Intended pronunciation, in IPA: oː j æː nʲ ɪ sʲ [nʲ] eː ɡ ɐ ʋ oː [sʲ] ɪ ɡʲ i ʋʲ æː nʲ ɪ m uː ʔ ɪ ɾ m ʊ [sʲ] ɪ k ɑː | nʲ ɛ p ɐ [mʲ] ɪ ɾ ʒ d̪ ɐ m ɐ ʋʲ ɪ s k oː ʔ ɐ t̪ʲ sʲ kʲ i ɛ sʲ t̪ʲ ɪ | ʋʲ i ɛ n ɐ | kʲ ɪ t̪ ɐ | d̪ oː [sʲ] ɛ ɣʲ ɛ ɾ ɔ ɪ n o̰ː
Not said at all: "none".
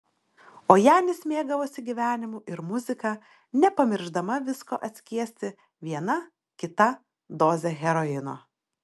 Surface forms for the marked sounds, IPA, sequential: mʲ, sʲ, zʲ, mʲ, zʲ

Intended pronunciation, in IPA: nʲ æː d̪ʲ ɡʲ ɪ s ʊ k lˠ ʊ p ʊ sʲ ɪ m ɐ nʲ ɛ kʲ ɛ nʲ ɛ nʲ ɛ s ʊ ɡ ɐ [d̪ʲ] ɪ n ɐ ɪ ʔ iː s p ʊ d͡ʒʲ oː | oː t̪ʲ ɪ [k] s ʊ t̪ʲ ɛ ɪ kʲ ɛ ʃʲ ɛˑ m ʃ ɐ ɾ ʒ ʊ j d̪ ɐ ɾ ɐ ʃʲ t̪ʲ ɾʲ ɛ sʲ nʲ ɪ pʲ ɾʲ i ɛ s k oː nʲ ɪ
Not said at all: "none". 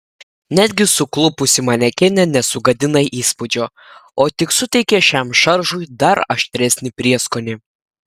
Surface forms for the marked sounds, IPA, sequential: d̪ʲ, k

